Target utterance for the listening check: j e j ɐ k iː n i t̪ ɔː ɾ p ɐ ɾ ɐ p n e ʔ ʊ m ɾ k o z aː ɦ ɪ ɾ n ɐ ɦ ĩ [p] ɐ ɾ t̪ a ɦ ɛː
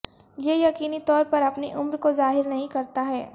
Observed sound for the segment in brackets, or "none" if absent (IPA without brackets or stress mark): k